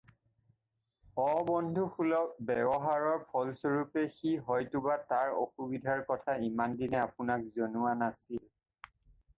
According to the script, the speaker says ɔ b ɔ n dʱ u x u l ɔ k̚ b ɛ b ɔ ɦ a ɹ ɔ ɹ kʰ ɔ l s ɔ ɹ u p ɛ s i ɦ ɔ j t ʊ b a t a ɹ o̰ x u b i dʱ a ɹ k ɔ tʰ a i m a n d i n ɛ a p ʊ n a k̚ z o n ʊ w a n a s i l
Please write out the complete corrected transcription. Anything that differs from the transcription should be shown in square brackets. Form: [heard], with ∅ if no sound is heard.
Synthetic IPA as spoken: ɔ b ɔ n dʱ u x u l ɔ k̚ b ɛ b ɔ ɦ a ɹ ɔ ɹ [pʰ] ɔ l s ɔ ɹ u p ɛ [x] i ɦ ɔ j t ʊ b a t a ɹ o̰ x u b i dʱ a ɹ k ɔ tʰ a i m a n d i n ɛ a p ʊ n a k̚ z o n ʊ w a n a s i l